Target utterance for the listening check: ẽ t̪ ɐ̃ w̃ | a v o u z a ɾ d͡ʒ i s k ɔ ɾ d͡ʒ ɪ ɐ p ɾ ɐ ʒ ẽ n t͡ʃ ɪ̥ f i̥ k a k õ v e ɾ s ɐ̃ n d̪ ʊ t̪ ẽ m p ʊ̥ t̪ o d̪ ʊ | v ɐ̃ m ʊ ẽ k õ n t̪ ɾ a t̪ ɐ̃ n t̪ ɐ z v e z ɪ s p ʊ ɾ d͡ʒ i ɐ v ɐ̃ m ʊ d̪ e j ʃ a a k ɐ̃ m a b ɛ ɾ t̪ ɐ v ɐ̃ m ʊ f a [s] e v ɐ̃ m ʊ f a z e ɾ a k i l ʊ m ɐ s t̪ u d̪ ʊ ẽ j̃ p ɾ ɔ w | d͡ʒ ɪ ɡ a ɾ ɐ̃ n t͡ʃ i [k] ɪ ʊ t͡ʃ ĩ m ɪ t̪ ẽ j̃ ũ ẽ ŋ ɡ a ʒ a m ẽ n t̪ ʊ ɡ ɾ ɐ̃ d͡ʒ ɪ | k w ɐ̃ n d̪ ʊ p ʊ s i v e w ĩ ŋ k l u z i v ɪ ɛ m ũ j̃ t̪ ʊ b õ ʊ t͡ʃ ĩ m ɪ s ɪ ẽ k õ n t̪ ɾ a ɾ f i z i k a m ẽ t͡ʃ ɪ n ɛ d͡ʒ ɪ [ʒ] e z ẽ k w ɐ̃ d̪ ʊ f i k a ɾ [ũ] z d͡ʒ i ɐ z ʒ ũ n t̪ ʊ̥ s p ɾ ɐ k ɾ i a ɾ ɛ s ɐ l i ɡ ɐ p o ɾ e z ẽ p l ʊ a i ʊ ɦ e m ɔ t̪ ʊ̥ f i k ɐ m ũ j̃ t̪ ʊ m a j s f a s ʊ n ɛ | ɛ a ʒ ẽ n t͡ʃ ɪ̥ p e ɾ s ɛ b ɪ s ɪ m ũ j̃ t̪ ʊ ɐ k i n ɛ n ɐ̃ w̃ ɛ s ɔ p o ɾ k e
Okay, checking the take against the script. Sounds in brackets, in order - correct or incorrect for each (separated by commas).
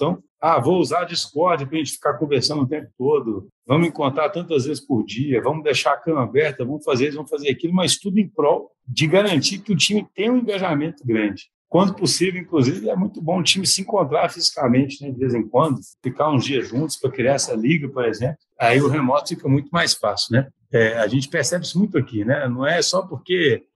incorrect, correct, incorrect, correct